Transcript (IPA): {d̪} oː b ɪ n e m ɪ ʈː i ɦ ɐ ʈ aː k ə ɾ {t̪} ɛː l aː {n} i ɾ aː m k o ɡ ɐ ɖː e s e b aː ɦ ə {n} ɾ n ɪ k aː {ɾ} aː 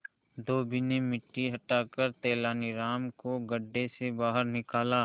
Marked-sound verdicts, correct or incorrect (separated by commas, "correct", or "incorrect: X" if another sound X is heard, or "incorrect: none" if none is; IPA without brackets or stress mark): correct, correct, correct, incorrect: none, incorrect: l